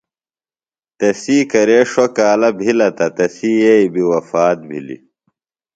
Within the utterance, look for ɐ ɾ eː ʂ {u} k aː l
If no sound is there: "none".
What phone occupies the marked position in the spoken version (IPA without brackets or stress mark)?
o